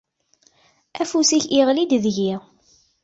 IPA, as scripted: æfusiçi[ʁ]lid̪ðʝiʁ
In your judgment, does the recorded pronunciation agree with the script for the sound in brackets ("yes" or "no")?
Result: yes